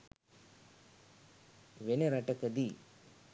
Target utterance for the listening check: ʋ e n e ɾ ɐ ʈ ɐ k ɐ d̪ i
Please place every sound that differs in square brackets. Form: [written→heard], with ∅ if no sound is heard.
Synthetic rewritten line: ʋ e n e ɾ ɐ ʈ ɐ k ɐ d̪ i

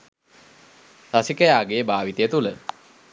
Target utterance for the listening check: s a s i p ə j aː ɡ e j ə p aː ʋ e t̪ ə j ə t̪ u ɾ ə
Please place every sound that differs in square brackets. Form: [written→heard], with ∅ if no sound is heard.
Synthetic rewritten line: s a s i [p→k] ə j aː ɡ e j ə [p→b] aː ʋ [e→i] t̪ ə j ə t̪ u [ɾ→l] ə

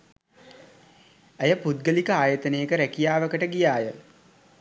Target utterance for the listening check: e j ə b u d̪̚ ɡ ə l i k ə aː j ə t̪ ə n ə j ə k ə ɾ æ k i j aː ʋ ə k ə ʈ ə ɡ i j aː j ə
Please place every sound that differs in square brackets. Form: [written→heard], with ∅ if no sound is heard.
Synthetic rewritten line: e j ə [b→p] u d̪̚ ɡ ə l i k ə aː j ə t̪ ə n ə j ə k ə ɾ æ k i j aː ʋ ə k ə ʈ ə ɡ i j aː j ə

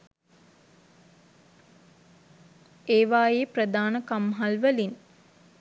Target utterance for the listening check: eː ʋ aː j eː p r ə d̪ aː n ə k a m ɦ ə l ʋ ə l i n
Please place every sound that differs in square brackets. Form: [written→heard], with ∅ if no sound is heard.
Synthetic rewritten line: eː ʋ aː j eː p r ə d̪ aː n ə k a m ɦ [ə→a] l ʋ ə l i n

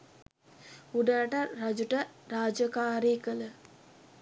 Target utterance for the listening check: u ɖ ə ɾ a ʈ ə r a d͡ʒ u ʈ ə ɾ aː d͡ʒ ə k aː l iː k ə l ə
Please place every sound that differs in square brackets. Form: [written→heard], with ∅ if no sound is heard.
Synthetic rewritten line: u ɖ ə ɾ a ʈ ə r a d͡ʒ u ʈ ə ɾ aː d͡ʒ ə k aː [l→ɾ] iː k ə l ə

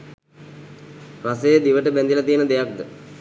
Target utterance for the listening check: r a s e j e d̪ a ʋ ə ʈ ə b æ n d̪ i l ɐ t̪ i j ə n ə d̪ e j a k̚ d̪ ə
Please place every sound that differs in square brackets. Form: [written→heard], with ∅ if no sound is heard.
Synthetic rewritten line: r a s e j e d̪ [a→i] ʋ ə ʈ ə b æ n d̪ i l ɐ t̪ i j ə n ə d̪ e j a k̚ d̪ ə

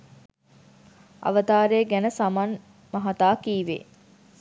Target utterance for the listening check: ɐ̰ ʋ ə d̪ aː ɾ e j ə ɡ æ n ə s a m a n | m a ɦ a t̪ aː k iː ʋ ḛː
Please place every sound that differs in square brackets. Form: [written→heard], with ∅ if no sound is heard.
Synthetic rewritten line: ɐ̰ ʋ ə [d̪→t̪] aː ɾ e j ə ɡ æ n ə s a m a n | m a ɦ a t̪ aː k iː ʋ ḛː

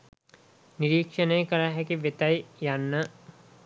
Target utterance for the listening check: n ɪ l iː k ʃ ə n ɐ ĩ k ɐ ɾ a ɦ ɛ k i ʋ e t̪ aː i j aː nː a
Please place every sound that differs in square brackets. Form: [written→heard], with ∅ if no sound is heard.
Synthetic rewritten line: n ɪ [l→ɾ] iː k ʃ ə n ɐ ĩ k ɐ ɾ a ɦ ɛ k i ʋ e t̪ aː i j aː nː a

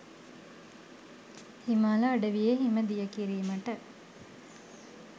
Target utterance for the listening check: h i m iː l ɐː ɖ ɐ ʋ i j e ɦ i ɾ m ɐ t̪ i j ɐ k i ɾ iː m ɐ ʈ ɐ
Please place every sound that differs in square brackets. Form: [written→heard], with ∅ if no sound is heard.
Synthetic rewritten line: h i m [iː→aː] l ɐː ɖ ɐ ʋ i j e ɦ i [ɾ→∅] m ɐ [t̪→d̪] i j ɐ k i ɾ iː m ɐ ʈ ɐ

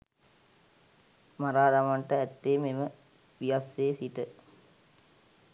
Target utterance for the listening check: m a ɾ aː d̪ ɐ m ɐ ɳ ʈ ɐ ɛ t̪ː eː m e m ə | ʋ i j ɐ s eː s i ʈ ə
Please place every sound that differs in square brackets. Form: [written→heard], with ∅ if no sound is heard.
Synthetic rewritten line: m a ɾ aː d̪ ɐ m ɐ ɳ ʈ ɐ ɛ t̪ː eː m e m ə | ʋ i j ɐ s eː s i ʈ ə

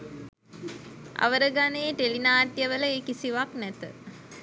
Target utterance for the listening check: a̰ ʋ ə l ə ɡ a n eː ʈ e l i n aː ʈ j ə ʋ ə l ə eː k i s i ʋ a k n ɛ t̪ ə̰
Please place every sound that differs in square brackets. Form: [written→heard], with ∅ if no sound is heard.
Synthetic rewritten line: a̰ ʋ ə [l→ɾ] ə ɡ a n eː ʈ e l i n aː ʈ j ə ʋ ə l ə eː k i s i ʋ a k n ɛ t̪ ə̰

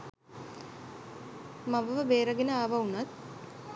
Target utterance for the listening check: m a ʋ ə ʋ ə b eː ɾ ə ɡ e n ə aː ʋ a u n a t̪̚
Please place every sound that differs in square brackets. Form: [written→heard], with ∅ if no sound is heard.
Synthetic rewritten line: m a ʋ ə ʋ ə b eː ɾ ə ɡ e n ə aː ʋ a u n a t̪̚

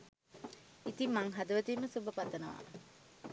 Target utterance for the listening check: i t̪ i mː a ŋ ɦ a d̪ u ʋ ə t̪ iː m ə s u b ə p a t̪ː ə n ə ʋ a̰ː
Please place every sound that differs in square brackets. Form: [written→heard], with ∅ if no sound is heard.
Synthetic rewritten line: i t̪ i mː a ŋ ɦ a d̪ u ʋ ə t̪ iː m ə s u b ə p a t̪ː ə n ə ʋ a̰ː

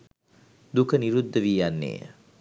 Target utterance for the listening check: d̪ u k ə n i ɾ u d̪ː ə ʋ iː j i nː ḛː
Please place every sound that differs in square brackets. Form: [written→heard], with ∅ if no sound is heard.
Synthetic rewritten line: d̪ u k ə n i ɾ u d̪ː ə ʋ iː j [i→a] nː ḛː

